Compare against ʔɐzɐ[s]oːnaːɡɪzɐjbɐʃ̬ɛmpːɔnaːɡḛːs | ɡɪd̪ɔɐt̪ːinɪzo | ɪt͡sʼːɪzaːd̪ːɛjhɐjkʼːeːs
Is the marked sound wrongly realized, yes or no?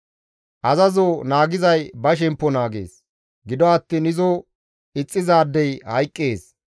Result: yes